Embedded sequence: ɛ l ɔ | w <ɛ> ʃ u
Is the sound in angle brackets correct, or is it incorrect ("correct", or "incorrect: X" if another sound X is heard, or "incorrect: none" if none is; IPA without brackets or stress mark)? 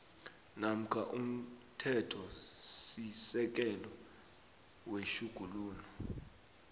incorrect: e